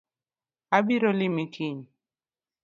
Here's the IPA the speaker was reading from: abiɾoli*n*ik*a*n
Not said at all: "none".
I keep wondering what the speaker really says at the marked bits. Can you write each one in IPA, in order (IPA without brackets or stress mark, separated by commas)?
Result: m, i